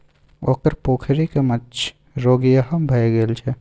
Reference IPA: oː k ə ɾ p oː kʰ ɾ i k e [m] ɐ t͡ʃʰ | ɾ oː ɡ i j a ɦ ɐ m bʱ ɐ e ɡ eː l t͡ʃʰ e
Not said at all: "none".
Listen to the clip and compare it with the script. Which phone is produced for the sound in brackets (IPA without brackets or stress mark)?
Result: m